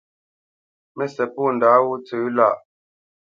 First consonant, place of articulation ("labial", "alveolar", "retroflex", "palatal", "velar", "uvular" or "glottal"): labial